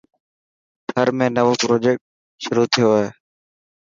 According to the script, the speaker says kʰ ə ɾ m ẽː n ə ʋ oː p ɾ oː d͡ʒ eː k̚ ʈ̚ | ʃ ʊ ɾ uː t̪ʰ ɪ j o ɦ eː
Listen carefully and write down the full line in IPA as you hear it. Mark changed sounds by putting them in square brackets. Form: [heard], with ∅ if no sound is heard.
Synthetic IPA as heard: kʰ ə ɾ m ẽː n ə ʋ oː p ɾ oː d͡ʒ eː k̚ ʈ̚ | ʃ ʊ ɾ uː t̪ʰ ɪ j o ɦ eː